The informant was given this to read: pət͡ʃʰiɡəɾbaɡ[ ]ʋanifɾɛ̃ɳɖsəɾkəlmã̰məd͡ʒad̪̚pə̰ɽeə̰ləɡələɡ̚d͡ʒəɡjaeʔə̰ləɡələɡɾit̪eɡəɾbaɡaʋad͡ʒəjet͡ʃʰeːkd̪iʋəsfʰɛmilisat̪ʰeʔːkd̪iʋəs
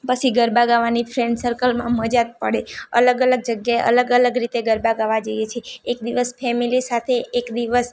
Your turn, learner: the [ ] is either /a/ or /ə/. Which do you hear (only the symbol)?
a